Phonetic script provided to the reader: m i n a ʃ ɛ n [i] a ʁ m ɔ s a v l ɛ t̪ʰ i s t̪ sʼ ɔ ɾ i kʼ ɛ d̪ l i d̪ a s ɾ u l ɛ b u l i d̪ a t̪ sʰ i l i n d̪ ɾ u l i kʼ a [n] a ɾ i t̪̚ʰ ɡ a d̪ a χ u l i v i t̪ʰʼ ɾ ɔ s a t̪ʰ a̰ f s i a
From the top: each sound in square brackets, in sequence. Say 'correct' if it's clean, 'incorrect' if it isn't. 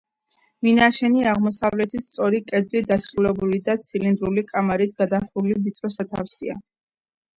correct, incorrect: m

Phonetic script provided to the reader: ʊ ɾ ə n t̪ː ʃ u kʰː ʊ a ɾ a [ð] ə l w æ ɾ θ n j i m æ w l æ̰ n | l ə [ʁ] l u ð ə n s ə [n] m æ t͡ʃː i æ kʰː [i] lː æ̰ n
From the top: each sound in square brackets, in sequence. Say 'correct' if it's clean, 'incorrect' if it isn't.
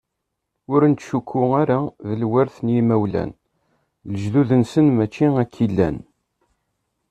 correct, incorrect: ʒ, correct, correct

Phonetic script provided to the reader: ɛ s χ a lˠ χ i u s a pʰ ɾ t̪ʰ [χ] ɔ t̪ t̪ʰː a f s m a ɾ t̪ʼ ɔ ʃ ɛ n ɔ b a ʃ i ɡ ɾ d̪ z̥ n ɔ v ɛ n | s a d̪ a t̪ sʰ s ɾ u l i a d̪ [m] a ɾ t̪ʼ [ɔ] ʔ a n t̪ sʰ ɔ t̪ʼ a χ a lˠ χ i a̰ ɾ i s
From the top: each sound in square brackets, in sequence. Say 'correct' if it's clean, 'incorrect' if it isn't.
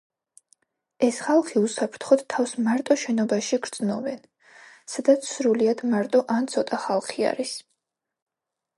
correct, correct, correct

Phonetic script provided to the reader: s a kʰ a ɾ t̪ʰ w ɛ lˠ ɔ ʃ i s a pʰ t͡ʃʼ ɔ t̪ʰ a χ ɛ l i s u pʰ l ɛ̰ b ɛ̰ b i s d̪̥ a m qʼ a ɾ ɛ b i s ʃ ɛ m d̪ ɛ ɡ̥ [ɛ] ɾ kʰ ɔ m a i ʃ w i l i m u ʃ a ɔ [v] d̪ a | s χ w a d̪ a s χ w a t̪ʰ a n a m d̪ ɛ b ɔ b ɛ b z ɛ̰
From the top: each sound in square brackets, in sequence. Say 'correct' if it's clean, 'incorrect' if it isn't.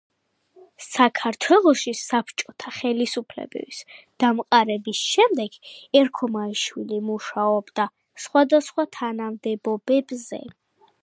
correct, incorrect: b

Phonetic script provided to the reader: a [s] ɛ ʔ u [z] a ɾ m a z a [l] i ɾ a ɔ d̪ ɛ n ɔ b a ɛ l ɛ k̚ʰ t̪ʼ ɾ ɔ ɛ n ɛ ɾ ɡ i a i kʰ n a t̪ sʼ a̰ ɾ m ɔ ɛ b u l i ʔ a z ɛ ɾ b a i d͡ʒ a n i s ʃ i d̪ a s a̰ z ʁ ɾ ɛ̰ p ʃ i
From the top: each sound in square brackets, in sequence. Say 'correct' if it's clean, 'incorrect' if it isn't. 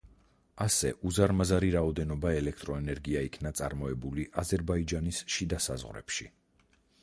correct, correct, incorrect: ɾ

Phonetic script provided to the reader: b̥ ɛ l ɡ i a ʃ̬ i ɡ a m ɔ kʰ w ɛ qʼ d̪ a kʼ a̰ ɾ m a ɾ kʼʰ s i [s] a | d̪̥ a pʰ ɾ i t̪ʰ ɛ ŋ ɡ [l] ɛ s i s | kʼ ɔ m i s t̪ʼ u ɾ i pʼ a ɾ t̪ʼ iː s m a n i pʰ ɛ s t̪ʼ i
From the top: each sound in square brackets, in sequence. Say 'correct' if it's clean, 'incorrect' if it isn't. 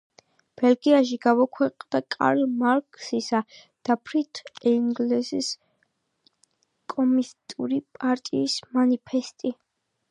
correct, correct

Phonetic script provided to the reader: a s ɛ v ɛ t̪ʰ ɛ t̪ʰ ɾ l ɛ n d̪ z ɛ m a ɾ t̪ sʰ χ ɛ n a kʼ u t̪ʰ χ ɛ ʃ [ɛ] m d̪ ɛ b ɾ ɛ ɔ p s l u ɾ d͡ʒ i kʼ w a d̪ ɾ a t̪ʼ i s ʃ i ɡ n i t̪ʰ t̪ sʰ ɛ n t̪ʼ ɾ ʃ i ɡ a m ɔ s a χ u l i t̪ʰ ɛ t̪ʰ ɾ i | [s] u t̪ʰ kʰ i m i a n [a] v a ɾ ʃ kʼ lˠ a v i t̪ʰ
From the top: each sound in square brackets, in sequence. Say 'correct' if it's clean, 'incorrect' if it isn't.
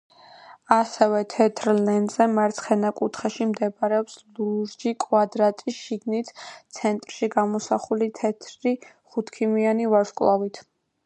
incorrect: i, incorrect: χ, incorrect: i

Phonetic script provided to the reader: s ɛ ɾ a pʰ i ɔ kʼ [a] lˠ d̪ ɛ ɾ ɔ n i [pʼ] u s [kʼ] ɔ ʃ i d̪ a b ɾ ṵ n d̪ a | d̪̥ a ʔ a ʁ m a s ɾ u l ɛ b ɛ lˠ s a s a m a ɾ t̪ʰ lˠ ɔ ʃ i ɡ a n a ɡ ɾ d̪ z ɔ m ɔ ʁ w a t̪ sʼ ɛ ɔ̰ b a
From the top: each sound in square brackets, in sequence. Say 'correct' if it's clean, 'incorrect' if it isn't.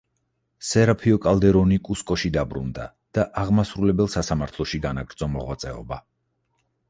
correct, incorrect: kʼ, correct

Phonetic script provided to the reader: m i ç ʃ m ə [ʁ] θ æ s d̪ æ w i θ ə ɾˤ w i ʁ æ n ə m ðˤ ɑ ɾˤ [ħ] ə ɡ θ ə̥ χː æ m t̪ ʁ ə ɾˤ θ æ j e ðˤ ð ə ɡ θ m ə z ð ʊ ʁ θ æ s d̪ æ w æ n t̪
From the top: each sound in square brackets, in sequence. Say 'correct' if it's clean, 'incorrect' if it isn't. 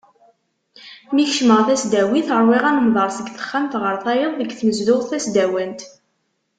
correct, incorrect: s

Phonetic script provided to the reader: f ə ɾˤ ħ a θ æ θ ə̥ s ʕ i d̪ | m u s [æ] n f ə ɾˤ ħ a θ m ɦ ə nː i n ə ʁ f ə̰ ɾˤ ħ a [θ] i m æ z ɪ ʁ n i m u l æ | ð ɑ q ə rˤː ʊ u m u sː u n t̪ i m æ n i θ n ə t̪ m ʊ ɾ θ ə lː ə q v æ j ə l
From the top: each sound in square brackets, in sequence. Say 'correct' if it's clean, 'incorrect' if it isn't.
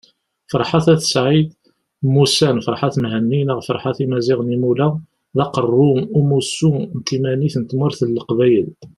correct, correct

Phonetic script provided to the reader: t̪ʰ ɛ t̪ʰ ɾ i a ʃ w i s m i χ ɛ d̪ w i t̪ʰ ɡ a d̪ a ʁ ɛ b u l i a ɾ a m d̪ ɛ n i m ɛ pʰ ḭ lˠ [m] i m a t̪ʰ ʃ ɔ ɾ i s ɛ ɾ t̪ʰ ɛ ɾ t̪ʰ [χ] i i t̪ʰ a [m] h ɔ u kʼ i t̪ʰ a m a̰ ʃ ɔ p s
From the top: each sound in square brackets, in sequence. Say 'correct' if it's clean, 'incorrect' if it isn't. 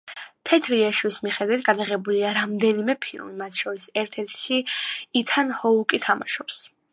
correct, incorrect: ʃ, incorrect: n

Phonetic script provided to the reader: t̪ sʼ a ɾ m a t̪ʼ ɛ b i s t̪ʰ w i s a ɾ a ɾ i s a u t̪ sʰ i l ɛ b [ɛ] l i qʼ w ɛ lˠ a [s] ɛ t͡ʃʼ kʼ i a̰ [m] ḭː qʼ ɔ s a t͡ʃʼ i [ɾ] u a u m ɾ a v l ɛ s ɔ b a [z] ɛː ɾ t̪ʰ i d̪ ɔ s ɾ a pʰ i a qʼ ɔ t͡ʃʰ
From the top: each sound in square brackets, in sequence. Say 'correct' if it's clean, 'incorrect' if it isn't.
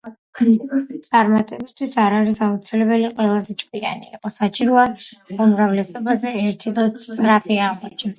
correct, incorrect: z, incorrect: n, correct, correct

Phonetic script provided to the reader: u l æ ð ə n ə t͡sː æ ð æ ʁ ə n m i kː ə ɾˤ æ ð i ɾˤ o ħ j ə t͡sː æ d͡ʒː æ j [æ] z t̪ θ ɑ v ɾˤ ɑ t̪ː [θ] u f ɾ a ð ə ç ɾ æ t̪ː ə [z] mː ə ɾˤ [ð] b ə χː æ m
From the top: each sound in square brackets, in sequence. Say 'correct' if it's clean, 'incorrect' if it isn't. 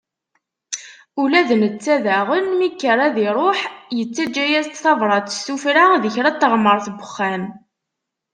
correct, incorrect: s, incorrect: ʁ, incorrect: θ

